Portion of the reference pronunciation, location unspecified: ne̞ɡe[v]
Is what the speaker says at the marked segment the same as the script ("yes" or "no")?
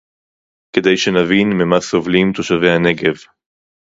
yes